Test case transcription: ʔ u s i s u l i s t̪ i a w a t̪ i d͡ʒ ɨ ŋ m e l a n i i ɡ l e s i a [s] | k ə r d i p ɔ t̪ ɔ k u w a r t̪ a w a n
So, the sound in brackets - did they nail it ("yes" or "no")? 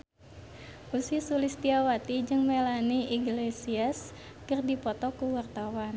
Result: yes